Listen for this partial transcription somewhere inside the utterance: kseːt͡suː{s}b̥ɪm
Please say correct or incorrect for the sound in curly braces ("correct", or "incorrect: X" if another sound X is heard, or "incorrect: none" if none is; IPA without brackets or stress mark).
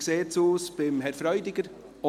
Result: correct